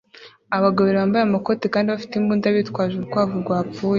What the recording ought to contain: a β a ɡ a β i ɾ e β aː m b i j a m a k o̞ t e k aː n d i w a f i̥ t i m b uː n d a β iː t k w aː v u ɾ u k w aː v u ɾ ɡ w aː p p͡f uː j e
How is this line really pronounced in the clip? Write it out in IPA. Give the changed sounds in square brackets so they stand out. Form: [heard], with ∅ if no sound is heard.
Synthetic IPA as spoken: a β a ɡ a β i ɾ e β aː m b [a] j a m a k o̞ t e k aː n d i [β] a f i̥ t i m b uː n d a β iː t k w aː [ʒ] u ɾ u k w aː v u ɾ ɡ w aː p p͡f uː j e